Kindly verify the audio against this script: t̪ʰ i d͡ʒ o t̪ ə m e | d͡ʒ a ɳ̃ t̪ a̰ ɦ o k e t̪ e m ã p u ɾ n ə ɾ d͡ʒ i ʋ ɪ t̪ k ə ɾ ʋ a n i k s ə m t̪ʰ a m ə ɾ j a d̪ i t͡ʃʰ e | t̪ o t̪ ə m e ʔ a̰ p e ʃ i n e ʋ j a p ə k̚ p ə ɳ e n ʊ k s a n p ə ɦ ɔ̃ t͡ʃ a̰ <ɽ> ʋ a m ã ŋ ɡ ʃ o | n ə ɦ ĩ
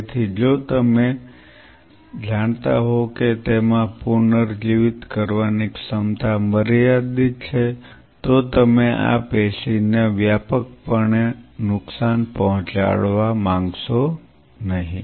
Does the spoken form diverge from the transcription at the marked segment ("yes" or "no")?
yes